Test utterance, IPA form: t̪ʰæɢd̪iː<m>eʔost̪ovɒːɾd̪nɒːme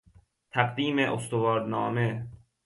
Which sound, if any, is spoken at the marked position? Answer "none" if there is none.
m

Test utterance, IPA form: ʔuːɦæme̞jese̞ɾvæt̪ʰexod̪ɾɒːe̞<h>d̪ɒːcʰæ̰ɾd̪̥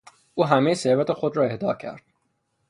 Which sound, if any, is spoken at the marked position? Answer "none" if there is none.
h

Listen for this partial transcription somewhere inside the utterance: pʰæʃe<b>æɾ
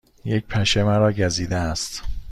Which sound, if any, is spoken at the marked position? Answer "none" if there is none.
m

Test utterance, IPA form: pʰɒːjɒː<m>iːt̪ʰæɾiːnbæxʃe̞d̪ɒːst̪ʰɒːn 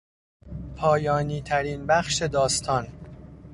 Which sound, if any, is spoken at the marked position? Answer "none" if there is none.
n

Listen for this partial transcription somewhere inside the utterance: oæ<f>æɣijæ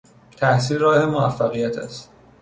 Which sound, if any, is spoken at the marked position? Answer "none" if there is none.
fː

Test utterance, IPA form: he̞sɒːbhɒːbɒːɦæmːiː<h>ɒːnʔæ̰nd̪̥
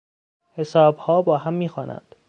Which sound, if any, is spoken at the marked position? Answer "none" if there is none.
x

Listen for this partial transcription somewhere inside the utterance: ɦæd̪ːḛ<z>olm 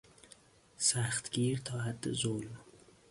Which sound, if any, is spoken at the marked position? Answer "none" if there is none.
z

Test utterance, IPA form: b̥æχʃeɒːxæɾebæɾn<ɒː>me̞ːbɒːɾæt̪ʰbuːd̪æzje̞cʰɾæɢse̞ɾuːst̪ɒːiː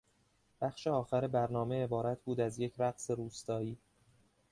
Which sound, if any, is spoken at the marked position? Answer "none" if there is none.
ɒː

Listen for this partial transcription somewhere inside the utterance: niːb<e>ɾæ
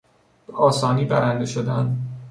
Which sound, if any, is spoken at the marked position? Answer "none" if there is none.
æ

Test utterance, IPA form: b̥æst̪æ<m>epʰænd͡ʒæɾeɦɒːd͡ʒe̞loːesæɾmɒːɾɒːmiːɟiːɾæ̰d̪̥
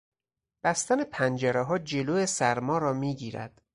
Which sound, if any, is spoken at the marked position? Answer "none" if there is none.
n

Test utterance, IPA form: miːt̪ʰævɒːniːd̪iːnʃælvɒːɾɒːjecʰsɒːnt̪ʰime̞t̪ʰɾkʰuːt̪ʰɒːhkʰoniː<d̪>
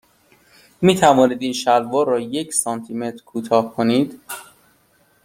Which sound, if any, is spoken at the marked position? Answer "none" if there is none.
d̪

